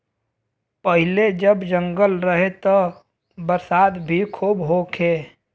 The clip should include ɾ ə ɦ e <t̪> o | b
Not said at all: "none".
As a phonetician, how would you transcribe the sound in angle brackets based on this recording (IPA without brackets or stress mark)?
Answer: t̪